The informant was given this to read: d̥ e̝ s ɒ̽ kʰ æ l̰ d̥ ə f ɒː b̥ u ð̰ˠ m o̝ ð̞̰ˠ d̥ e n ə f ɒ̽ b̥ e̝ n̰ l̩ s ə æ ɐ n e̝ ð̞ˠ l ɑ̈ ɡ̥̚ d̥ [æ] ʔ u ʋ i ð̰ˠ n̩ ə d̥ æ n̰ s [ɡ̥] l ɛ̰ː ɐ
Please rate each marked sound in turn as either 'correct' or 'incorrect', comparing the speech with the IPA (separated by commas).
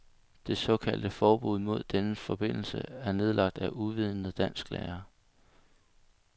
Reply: correct, correct